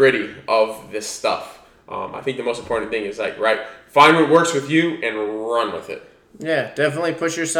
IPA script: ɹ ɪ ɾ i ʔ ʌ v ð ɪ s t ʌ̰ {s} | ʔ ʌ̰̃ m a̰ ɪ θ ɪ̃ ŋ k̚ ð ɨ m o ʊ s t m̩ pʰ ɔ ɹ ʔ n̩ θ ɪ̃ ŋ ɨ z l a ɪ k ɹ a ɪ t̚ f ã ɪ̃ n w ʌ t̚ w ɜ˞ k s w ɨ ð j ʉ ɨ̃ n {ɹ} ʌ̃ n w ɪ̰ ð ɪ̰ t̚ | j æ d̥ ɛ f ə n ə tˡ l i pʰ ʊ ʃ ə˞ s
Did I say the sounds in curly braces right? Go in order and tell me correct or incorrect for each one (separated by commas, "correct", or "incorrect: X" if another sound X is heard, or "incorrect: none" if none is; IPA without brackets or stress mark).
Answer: incorrect: f, correct